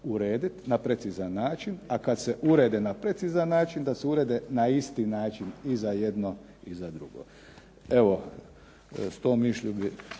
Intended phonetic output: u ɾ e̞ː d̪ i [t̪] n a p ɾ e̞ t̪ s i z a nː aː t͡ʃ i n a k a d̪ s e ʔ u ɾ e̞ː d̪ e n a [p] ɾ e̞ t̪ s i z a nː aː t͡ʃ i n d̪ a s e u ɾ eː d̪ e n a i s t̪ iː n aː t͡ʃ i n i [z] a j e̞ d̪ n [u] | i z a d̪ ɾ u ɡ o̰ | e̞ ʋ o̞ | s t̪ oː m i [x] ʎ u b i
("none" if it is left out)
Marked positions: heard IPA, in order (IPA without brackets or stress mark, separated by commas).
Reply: t̪, p, z, o, ʃ